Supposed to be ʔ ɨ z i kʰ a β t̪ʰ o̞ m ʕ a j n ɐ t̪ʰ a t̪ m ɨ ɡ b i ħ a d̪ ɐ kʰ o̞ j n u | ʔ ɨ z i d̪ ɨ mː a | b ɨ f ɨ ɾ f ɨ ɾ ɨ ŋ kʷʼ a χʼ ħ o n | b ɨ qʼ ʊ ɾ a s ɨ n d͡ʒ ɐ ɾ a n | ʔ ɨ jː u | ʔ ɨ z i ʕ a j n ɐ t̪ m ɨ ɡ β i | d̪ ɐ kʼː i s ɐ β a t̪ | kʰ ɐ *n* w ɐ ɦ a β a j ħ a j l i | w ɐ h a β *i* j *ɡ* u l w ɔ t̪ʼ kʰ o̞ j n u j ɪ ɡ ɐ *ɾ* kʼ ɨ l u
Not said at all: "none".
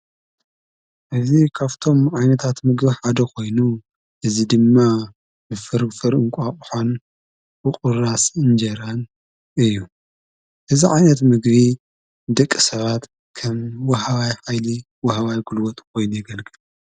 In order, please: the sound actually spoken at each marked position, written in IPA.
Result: m, a, ɡ, l

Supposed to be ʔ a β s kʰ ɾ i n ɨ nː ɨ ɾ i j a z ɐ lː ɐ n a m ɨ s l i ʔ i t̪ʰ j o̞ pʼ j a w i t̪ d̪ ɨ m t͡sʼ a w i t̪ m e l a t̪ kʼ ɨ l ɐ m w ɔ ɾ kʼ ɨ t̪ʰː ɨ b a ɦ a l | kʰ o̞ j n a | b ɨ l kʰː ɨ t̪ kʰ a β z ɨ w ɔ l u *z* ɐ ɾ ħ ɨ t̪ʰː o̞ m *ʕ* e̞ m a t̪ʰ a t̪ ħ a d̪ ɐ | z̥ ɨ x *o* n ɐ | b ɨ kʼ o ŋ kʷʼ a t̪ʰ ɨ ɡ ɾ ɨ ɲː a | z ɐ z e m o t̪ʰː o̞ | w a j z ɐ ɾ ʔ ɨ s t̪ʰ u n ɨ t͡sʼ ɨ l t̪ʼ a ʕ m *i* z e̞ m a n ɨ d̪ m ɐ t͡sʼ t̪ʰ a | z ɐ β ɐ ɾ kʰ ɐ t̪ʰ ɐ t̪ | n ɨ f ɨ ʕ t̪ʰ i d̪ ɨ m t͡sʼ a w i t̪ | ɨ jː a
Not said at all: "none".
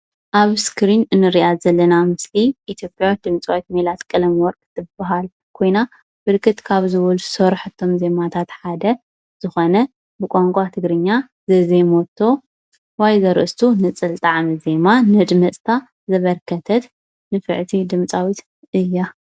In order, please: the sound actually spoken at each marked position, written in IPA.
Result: s, z, o, i

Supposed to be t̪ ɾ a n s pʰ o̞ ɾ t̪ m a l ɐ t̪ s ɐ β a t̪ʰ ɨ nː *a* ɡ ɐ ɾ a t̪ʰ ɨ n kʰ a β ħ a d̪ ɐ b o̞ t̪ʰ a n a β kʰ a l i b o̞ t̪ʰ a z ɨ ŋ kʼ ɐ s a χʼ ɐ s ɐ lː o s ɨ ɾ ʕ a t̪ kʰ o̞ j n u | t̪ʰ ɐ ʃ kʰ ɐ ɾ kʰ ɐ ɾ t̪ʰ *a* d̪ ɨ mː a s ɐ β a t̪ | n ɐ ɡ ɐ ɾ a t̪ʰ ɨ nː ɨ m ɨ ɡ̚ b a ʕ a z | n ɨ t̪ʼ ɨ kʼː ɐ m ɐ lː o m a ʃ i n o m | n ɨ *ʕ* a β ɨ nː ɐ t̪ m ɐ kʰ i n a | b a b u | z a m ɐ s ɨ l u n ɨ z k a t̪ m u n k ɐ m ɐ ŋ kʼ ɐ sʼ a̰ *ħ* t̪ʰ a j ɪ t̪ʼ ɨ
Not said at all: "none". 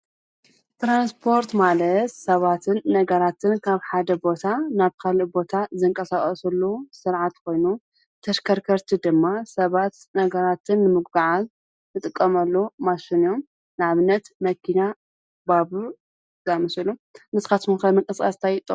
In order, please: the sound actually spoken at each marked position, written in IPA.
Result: ɐ, i, ʕ, s

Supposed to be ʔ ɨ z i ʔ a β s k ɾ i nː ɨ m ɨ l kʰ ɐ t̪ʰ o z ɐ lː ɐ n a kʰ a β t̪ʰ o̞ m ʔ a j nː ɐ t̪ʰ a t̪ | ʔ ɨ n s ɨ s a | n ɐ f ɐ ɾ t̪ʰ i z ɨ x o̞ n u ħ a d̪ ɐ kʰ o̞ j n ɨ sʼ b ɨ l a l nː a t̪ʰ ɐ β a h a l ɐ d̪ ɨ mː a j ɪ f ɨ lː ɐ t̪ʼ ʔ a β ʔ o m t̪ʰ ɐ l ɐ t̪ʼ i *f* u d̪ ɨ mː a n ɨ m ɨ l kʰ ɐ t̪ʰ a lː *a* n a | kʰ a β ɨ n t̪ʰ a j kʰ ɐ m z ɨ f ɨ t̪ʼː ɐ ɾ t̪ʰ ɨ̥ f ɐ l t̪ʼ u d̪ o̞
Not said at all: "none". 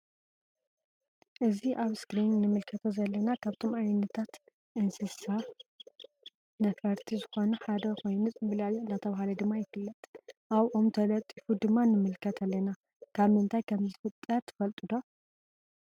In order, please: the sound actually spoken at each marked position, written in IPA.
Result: f, ɐ

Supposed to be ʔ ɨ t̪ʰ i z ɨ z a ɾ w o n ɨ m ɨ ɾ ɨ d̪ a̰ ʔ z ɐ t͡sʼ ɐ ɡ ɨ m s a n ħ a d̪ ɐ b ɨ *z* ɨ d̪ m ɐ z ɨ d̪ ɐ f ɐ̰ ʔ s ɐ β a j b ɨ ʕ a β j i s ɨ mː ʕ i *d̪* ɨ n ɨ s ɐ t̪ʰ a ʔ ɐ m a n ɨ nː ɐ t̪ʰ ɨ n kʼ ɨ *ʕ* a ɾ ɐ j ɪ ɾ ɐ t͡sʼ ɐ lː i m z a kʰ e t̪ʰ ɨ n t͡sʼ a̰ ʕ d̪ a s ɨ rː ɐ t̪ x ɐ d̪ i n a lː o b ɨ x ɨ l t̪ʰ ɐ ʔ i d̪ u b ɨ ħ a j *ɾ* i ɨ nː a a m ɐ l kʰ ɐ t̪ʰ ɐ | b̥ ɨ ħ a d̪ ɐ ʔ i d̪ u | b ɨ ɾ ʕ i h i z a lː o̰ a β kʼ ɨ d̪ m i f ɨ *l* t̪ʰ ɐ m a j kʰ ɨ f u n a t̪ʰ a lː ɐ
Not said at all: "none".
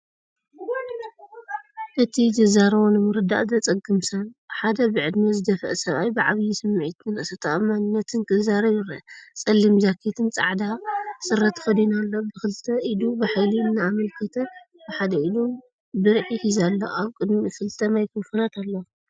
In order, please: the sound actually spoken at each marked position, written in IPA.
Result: ʕ, t̪, z, l, l

